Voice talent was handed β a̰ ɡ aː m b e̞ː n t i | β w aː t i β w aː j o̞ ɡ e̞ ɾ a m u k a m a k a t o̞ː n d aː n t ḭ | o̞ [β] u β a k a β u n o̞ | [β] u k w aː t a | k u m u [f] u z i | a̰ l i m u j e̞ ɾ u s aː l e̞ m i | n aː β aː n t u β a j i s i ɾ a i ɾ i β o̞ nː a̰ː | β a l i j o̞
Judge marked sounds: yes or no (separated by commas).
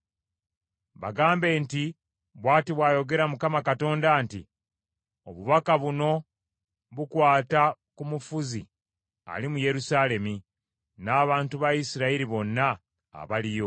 yes, yes, yes